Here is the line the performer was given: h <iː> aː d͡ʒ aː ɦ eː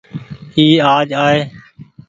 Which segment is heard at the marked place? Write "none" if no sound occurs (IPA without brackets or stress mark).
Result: iː